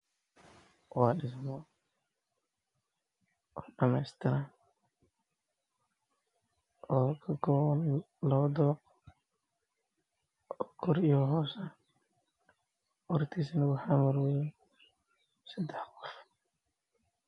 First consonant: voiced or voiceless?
voiced